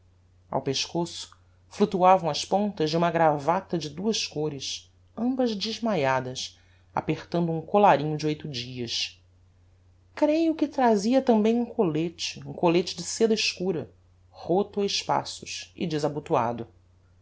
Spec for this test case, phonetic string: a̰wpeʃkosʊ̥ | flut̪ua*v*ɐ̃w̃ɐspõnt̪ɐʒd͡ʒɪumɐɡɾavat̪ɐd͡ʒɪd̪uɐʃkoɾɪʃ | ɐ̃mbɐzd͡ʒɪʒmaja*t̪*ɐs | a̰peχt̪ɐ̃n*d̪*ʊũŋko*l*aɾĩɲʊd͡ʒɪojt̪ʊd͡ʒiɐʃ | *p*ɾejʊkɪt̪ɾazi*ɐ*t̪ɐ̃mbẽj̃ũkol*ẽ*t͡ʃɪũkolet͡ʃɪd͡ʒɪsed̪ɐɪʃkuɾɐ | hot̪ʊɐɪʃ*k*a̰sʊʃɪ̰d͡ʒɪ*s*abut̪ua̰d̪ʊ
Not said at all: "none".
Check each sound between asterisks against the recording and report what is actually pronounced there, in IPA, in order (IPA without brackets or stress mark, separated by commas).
v, d̪, d̪, l, k, ɐ, e, p, z